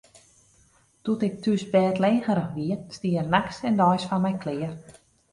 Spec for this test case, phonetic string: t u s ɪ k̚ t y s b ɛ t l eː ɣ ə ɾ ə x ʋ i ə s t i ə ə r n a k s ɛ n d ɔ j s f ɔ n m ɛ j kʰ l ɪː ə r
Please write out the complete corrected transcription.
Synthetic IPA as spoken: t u t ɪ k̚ t y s b ɛː t l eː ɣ ə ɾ ə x ʋ i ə s t i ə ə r n a k s ɛ n d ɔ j s f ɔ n m ɛ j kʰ l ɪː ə r